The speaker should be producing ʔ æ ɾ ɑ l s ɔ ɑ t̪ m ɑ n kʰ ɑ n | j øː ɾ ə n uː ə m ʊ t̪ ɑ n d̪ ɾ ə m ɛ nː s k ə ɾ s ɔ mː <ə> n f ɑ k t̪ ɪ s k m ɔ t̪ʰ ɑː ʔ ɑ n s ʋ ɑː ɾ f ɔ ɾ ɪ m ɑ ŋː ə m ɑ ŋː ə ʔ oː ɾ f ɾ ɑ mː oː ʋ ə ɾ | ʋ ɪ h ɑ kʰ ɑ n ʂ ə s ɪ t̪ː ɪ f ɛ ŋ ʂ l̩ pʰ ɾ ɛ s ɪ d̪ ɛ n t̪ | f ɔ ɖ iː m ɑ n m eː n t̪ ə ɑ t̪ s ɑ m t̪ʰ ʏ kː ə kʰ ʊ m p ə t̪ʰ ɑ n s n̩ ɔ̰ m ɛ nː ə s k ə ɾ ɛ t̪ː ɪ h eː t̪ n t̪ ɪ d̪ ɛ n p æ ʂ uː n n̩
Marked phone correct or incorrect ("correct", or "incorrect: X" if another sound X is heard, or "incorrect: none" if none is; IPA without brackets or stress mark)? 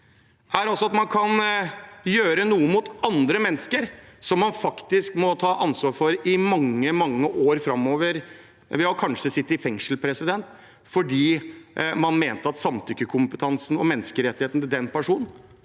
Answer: incorrect: ɑ